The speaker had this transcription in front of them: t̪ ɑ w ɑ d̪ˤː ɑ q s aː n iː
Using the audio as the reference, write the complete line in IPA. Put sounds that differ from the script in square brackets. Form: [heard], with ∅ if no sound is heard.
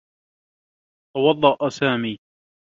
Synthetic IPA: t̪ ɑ w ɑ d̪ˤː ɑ [ʔ] s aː [m] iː